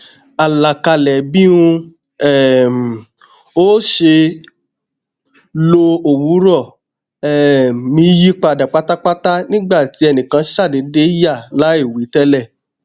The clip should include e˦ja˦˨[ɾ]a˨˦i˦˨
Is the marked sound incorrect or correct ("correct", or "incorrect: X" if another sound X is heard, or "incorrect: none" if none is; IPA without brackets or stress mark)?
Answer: incorrect: l